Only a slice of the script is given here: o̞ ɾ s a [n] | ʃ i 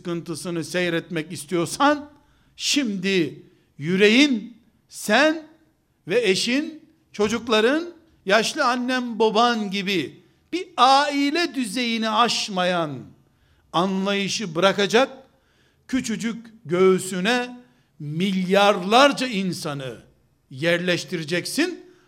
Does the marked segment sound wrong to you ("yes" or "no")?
no